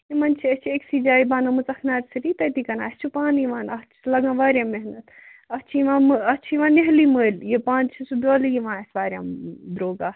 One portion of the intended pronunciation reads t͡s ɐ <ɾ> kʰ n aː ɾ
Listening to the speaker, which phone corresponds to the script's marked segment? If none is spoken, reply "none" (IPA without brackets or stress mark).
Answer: none